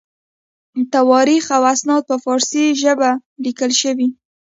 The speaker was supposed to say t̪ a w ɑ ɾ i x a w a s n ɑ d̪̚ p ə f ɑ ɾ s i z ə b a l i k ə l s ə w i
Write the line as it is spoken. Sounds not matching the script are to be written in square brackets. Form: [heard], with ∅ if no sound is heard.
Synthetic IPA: t̪ a w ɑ ɾ i x a w a s n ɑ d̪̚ p ə f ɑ ɾ s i [ʒ] ə b a l i k ə l [ʃ] ə w i